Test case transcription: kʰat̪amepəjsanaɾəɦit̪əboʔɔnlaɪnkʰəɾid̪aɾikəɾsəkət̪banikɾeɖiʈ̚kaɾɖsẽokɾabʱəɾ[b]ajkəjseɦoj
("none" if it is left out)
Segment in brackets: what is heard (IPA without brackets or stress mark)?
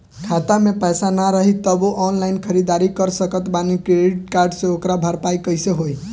p